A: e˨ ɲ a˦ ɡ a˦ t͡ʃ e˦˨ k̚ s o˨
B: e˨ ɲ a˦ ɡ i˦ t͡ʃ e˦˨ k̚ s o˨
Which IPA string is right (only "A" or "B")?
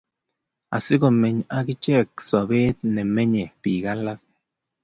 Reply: B